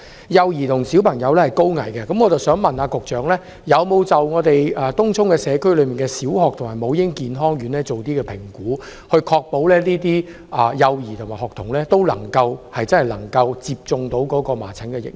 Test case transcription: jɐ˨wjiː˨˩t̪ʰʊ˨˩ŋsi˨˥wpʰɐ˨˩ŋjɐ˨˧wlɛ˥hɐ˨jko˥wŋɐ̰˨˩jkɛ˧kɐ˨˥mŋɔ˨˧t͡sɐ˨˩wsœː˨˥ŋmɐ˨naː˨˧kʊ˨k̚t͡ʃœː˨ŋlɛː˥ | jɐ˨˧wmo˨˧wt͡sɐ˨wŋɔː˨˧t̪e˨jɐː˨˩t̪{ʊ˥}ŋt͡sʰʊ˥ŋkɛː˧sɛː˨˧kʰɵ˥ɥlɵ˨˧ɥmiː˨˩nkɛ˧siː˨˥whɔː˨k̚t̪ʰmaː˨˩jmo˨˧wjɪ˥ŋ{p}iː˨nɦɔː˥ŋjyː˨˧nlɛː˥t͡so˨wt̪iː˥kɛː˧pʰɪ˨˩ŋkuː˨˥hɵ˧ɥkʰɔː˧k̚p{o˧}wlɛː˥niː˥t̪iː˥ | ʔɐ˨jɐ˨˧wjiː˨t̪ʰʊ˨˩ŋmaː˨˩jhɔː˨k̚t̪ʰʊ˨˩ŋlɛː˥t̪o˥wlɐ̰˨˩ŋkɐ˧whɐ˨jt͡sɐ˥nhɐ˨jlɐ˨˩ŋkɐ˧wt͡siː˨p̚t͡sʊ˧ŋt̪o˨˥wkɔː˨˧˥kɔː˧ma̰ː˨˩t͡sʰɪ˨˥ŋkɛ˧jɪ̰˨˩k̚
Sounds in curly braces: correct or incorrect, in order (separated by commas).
correct, incorrect, incorrect